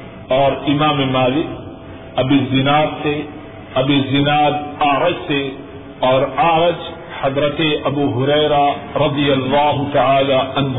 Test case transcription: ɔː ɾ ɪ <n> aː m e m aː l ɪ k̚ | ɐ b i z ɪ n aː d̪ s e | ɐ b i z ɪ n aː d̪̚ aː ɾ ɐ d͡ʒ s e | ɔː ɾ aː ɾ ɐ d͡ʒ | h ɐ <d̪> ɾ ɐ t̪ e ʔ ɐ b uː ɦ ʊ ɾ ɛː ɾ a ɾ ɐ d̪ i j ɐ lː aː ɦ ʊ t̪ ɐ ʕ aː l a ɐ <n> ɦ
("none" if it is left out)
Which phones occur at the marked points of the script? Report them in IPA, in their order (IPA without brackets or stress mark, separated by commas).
m, d̪, n